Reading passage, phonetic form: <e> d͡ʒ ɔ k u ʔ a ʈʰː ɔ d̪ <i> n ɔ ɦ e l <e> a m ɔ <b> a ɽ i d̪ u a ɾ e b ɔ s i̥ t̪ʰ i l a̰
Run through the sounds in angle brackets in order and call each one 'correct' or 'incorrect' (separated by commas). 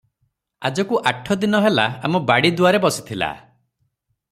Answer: incorrect, correct, incorrect, correct